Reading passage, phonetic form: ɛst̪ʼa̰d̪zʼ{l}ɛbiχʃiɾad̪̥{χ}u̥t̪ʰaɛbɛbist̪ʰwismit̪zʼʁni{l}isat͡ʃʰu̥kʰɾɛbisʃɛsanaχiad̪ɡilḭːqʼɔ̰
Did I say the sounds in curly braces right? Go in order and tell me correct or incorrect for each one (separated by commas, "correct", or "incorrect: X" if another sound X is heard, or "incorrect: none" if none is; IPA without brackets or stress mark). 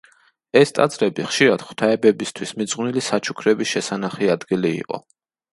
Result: incorrect: ɾ, correct, correct